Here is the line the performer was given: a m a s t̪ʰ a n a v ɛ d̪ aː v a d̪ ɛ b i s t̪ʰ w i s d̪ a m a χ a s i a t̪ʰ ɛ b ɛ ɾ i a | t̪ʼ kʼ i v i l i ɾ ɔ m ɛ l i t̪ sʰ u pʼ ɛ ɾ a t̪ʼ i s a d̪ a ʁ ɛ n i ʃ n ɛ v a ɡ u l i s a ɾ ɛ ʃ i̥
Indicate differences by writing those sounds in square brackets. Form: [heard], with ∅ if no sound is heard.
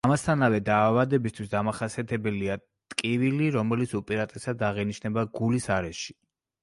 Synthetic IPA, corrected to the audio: a m a s t̪ʰ a n a v ɛ d̪ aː v a d̪ ɛ b i s t̪ʰ w i s d̪ a m a χ a s i a t̪ʰ ɛ b ɛ [l] i a | t̪ʼ kʼ i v i l i ɾ ɔ m ɛ l i t̪ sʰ u pʼ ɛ ɾ a t̪ʼ [ɛ] s a d̪ a ʁ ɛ n i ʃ n ɛ [b] a ɡ u l i s a ɾ ɛ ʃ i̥